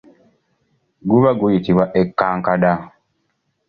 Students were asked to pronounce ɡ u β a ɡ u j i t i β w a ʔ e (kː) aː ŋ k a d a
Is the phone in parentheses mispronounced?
no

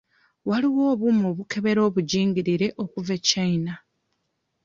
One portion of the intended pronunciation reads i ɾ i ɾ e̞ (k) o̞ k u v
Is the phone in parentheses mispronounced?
yes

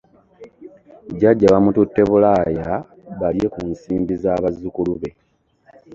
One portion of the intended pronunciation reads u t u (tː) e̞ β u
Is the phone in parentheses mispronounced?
no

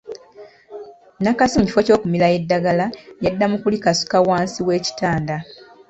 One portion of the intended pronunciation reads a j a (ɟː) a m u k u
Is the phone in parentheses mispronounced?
yes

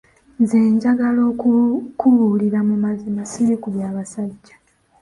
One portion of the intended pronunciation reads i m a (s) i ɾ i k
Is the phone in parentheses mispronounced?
no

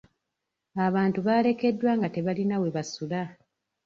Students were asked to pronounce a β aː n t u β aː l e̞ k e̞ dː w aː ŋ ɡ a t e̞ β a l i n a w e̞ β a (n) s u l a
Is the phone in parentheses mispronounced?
yes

